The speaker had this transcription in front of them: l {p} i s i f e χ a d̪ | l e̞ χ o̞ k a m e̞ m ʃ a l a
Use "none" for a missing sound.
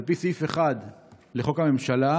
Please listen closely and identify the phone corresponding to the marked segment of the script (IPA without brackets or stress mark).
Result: p